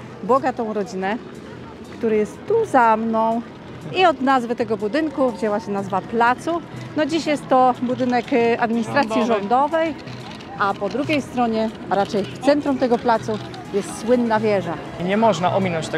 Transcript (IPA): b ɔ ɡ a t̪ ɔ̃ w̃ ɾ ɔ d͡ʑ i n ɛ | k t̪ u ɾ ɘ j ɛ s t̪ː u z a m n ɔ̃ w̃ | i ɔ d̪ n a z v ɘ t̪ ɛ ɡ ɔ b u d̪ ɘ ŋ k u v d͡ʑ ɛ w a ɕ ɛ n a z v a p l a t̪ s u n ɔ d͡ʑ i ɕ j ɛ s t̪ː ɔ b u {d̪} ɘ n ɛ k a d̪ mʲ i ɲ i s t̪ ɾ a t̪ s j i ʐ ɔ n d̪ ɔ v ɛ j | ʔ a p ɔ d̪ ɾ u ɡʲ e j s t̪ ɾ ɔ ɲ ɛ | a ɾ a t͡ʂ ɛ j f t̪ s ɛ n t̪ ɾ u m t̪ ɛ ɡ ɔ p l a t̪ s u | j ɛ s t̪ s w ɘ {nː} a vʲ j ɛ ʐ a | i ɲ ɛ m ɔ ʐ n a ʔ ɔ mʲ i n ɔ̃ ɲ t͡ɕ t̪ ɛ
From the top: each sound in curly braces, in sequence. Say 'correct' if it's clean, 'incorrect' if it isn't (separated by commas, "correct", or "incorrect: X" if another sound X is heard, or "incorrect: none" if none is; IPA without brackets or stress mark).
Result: correct, correct